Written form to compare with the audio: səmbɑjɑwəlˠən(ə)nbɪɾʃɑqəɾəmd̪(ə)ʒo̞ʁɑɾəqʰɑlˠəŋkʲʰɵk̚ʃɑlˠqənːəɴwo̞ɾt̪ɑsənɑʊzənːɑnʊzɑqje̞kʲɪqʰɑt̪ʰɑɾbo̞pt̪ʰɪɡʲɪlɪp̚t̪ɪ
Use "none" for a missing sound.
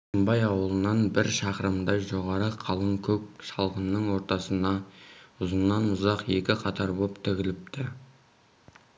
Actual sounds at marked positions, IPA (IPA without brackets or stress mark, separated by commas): ɑ, ɑ